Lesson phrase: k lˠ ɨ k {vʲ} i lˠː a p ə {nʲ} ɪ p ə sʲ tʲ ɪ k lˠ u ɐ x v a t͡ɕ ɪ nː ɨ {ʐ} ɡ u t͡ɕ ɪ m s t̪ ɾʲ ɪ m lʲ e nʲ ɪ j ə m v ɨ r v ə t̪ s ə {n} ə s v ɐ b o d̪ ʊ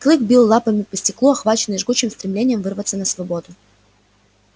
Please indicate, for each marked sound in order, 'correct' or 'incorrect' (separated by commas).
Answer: incorrect, incorrect, correct, correct